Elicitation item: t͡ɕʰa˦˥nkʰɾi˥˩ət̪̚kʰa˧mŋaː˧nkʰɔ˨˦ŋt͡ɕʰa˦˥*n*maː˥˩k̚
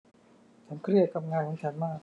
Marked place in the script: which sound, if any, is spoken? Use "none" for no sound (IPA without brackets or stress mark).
n